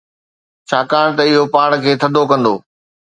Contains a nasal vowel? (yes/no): yes